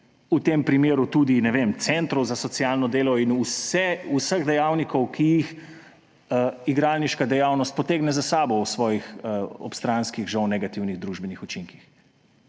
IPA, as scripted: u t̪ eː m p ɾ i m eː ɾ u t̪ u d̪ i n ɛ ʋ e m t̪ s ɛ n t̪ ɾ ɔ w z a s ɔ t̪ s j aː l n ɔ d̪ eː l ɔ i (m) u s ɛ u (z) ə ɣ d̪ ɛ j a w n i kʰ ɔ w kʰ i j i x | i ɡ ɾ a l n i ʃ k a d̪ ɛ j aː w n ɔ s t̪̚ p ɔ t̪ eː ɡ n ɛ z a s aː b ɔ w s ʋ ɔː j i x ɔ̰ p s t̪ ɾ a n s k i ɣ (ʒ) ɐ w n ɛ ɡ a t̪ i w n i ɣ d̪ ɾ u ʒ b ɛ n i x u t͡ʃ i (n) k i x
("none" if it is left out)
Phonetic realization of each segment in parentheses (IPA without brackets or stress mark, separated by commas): n, s, ʒ, ŋ